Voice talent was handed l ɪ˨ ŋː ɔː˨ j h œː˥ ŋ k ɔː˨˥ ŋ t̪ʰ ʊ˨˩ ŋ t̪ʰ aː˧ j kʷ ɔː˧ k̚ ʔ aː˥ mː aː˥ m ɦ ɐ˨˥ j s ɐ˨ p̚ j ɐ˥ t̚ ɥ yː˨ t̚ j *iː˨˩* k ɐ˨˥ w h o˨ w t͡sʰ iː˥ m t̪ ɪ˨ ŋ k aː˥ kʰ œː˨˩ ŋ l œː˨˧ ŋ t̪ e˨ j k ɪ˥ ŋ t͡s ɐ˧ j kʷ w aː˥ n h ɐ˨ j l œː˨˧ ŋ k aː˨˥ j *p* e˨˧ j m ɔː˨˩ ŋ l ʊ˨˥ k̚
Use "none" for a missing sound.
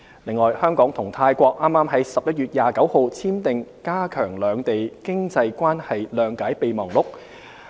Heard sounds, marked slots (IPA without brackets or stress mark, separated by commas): aː˨˩, p